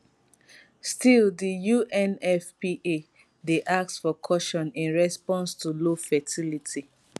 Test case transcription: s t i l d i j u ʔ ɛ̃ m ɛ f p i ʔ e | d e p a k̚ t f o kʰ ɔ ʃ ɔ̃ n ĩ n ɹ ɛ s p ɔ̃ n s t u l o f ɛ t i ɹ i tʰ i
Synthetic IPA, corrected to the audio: s t i l d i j u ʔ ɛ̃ n ɛ f p i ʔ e | d e ʔ a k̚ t f ɔ kʰ ɔ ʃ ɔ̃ n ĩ n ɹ ɛ s p ɔ̃ n s t u l o f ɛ t i l i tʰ i